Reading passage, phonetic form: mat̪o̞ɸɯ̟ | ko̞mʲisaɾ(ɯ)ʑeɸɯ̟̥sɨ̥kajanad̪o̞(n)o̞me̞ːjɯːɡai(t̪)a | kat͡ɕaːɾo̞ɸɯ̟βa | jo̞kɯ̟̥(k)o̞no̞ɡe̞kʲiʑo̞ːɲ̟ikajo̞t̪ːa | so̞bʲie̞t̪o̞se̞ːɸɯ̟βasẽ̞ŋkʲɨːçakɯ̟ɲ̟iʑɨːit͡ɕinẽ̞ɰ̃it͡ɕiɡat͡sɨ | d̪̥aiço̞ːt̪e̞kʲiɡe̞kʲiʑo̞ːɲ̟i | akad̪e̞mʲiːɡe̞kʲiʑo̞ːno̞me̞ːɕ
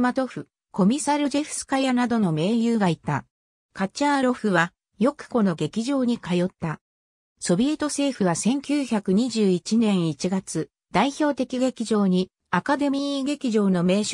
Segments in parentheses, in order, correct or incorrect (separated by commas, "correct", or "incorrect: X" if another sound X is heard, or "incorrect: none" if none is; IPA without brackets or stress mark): correct, correct, correct, correct